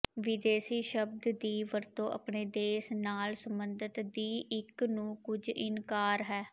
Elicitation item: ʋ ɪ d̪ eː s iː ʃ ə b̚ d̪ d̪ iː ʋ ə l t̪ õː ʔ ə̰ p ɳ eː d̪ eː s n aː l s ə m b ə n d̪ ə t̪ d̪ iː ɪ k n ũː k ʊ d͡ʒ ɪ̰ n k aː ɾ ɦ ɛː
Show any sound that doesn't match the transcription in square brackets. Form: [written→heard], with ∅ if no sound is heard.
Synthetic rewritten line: ʋ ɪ d̪ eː s iː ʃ ə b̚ d̪ d̪ iː ʋ ə [l→ɾ] t̪ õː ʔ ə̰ p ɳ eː d̪ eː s n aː l s ə m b ə n d̪ ə t̪ d̪ iː ɪ k n ũː k ʊ d͡ʒ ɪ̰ n k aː ɾ ɦ ɛː